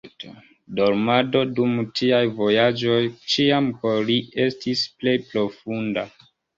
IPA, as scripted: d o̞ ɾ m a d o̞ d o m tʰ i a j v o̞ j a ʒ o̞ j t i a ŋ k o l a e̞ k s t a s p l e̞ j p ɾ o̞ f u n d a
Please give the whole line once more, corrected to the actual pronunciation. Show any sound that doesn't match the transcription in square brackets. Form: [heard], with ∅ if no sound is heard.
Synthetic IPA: d o̞ ɾ m a d o̞ d [u] m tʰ i a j v o̞ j a [d͡ʒ] o̞ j [t͡ʃ] i a [m] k o l [i] e̞ [∅] s t [i] s p l e̞ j p ɾ o̞ f u n d a